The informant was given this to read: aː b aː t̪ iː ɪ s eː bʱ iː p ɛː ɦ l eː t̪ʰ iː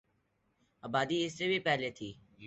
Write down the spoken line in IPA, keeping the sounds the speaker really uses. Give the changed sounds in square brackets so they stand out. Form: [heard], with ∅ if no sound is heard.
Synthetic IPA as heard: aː b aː [d̪] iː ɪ s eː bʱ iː p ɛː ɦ l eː t̪ʰ iː

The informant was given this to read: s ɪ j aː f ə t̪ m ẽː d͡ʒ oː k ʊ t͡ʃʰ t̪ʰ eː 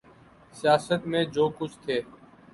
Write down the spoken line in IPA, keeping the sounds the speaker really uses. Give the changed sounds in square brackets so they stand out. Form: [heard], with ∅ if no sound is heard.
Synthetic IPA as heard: s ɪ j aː [s] ə t̪ m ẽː d͡ʒ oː k ʊ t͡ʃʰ t̪ʰ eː

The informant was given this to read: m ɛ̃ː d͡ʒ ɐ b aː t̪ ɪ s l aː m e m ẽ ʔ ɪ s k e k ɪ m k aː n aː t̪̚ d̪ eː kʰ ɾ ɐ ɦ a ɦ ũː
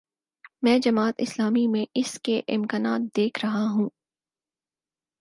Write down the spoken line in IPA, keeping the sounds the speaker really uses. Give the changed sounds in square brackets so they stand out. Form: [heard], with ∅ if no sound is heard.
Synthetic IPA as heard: m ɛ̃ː d͡ʒ ɐ [m] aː t̪ ɪ s l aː m [i] m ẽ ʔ ɪ s k e [ʔ] ɪ m k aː n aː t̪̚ d̪ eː kʰ ɾ ɐ ɦ a ɦ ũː

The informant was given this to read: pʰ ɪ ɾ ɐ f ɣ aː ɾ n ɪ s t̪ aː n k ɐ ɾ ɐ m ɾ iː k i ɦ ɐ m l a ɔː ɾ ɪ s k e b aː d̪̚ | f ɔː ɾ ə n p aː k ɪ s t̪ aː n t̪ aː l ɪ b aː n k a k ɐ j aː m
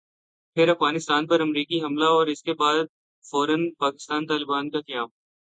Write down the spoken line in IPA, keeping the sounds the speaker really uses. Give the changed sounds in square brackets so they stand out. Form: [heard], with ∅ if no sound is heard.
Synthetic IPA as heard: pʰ ɪ ɾ ɐ f ɣ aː [∅] n ɪ s t̪ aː n [p] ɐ ɾ ɐ m ɾ iː k i ɦ ɐ m l a ɔː ɾ ɪ s k e b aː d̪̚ | f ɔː ɾ ə n p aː k ɪ s t̪ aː n t̪ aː l ɪ b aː n k a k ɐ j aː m

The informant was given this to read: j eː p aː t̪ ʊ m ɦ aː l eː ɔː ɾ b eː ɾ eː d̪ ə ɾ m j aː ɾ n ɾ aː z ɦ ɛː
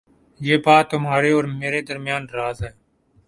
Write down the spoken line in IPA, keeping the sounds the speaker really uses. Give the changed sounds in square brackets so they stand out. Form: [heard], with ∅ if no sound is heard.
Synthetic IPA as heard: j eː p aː t̪ ʊ m ɦ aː [ɾ] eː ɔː ɾ [m] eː ɾ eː d̪ ə ɾ m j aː [∅] n ɾ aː z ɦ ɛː

